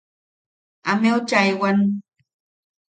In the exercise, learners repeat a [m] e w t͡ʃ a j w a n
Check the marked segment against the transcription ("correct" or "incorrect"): correct